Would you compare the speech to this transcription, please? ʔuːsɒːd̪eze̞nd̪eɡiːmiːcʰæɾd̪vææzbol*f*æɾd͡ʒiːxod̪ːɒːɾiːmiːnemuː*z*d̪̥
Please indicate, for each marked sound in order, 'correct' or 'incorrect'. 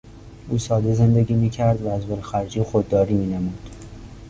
incorrect, incorrect

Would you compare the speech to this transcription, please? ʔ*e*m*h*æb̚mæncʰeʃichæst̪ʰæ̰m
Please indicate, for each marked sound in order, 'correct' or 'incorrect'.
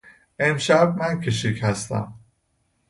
correct, incorrect

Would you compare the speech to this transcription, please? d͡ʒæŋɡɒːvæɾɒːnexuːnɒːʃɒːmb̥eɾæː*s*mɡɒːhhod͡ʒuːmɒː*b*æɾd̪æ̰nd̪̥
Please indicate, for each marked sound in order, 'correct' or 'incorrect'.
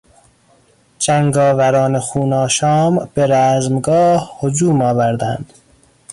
incorrect, incorrect

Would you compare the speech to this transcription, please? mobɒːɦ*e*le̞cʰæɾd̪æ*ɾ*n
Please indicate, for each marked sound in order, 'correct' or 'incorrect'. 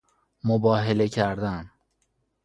correct, incorrect

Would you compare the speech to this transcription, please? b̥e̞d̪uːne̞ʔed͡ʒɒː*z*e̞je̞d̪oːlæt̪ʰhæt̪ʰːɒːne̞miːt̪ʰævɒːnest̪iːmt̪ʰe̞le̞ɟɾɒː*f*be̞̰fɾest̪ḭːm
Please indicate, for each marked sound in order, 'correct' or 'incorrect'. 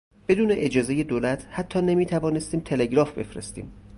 correct, correct

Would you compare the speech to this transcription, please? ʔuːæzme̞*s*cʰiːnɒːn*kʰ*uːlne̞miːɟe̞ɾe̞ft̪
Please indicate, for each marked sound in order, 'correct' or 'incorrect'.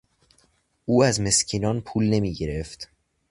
correct, incorrect

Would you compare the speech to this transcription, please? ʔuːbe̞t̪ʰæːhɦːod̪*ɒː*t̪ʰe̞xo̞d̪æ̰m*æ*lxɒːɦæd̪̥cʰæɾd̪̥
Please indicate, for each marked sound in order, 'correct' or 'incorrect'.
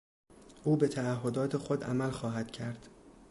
correct, correct

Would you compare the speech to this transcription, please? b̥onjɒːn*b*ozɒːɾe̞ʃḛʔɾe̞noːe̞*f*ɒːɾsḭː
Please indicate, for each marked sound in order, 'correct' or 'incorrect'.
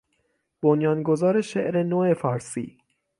incorrect, correct

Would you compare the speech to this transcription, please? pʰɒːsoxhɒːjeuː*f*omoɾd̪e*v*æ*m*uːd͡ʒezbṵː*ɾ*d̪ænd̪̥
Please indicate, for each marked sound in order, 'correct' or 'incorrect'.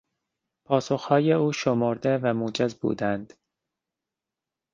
incorrect, correct, correct, incorrect

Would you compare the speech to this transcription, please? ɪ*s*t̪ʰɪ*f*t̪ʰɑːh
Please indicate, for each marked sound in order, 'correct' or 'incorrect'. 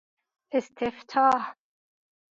correct, correct

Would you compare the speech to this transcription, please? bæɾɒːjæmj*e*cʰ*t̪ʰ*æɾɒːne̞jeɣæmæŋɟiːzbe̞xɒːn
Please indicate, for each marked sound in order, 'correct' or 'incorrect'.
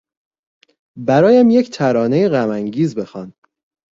correct, correct

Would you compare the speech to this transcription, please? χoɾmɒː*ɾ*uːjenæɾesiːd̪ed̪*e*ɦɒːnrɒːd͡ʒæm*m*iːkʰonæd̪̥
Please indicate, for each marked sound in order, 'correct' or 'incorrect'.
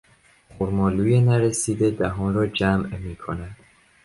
incorrect, incorrect, correct

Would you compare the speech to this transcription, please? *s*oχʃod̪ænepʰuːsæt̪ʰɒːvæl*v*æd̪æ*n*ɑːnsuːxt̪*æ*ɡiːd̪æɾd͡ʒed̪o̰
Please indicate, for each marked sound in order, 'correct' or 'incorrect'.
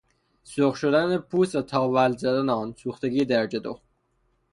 correct, incorrect, correct, incorrect

